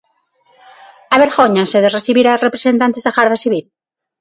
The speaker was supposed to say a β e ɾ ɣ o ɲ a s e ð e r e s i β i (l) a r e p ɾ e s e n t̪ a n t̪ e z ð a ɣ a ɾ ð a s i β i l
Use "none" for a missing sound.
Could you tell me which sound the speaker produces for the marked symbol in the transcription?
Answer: ɾ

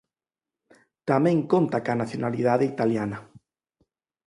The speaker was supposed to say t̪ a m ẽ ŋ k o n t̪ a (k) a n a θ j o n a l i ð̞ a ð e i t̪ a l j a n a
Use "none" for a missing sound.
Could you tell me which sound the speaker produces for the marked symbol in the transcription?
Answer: k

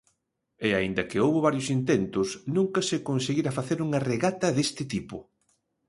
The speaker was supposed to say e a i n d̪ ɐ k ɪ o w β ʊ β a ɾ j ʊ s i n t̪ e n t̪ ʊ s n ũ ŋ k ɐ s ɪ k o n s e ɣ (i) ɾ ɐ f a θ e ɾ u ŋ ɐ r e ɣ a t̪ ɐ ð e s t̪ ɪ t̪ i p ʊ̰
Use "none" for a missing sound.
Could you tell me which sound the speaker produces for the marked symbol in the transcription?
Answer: i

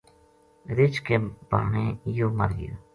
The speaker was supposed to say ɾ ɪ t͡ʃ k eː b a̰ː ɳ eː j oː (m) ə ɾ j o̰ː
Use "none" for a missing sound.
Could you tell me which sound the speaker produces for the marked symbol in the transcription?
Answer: m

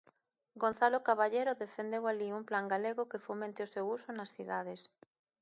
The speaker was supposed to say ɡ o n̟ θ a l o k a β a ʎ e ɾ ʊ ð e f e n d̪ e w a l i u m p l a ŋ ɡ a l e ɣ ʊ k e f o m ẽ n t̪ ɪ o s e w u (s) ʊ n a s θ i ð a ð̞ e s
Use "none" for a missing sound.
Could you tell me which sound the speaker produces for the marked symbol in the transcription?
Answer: s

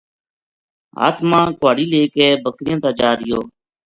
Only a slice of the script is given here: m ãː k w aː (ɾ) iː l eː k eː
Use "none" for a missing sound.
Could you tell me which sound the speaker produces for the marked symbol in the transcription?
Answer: ɽ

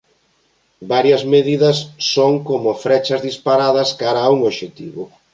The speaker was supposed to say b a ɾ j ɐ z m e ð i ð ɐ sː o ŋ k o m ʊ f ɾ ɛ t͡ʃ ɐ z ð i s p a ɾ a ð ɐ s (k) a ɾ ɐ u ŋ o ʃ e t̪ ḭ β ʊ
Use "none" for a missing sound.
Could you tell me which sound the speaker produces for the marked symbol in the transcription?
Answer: k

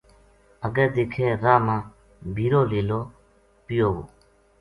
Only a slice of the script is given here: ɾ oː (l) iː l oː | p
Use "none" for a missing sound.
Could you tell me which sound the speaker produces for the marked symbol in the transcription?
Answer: l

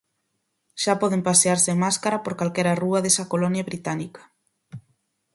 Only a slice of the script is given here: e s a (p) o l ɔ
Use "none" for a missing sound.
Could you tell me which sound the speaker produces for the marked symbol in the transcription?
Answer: k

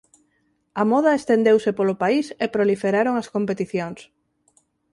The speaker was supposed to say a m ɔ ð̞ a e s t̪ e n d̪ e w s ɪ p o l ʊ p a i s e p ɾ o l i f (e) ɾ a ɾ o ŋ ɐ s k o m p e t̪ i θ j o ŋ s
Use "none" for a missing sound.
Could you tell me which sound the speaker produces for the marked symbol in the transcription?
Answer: e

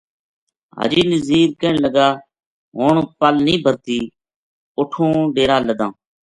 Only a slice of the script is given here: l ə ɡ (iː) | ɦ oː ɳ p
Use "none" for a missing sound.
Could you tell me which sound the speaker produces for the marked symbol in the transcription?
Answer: aː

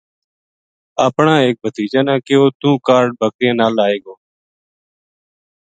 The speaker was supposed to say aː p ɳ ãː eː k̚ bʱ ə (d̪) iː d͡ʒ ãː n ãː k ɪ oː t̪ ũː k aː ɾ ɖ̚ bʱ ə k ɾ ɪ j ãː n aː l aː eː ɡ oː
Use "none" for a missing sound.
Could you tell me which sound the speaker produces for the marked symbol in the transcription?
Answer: t̪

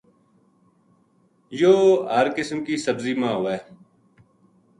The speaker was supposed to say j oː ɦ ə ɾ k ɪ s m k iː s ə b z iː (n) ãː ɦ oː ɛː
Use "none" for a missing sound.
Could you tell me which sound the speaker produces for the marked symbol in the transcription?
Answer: m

